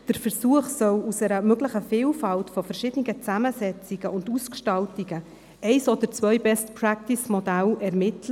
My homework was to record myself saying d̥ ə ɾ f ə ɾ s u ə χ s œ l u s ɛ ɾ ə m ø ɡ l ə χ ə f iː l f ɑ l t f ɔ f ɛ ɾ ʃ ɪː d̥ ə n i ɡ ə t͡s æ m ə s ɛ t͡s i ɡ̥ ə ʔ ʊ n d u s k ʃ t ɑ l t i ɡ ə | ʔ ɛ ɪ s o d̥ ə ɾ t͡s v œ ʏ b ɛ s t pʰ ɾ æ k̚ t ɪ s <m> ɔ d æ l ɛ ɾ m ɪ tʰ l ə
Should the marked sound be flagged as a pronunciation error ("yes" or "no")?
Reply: no